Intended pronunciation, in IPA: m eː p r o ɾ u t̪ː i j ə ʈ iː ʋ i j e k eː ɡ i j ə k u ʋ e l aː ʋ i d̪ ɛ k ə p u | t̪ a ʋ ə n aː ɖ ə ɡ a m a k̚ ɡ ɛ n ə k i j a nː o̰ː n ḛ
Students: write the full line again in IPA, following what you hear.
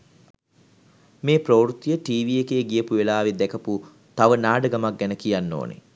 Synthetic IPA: m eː p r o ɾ u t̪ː i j ə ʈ iː ʋ i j e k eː ɡ i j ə p u ʋ e l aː ʋ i d̪ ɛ k ə p u | t̪ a ʋ ə n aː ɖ ə ɡ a m a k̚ ɡ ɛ n ə k i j a nː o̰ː n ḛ